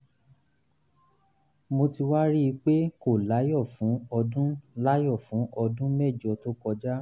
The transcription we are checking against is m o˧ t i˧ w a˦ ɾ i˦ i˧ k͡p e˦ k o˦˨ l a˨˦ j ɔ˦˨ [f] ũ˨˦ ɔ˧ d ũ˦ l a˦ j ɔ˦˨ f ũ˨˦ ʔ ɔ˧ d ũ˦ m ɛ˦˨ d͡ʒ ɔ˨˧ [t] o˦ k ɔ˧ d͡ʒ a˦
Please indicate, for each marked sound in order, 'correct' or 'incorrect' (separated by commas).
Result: correct, correct